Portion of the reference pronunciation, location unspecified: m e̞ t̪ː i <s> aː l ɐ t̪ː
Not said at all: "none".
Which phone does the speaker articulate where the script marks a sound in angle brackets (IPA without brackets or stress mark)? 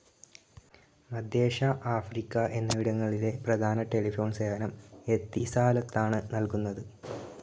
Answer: s